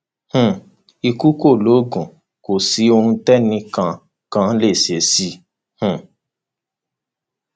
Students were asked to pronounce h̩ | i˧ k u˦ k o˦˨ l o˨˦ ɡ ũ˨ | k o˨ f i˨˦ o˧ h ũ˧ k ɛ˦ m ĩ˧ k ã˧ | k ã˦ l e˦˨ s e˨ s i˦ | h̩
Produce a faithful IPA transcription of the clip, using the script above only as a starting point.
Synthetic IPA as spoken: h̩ | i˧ k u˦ k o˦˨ l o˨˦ ɡ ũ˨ | k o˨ s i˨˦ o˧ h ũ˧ t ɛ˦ n ĩ˧ k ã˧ | k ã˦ l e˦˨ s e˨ s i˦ | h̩

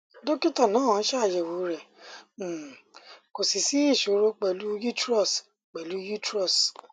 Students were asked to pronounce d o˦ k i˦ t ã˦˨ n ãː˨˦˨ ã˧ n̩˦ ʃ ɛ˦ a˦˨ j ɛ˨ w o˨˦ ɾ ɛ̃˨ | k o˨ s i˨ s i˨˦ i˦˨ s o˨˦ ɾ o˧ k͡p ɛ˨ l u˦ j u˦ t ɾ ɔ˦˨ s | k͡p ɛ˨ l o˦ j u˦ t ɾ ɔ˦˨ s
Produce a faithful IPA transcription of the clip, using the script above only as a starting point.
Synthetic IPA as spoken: d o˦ k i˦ t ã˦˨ n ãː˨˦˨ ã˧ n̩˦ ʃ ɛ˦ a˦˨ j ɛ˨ w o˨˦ ɾ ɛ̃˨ | k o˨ s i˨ s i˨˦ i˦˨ ʃ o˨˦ ɾ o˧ k͡p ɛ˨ l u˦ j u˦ t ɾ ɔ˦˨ s | k͡p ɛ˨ l u˦ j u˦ t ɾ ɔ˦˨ s

